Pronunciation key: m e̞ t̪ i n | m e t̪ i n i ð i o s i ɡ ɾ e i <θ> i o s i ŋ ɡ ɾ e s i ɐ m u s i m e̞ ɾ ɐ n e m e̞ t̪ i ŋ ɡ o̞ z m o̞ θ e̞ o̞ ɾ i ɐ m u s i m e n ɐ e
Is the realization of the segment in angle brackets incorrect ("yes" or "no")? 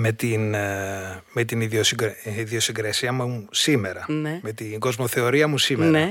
yes